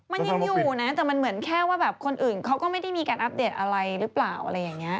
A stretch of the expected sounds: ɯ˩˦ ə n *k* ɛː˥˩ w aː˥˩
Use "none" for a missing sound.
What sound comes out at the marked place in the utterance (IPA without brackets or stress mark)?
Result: kʰ